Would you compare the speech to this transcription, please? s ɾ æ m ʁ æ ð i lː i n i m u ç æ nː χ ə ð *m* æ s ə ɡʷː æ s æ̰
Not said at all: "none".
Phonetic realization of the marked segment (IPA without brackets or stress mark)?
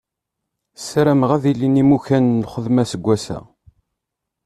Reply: m